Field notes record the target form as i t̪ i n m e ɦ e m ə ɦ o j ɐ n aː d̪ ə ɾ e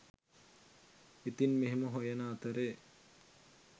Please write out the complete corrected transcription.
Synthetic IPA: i t̪ i n m e ɦ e m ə ɦ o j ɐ n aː t̪ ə ɾ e